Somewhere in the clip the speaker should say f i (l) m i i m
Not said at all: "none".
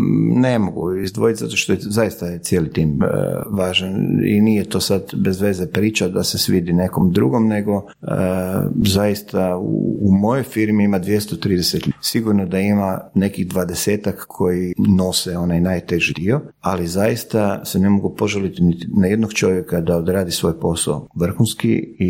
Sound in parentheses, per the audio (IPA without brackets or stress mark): ɾ